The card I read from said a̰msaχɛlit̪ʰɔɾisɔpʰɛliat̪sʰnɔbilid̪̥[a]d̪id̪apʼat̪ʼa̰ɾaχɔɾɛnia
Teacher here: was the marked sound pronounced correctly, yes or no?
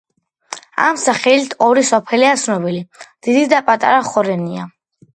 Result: no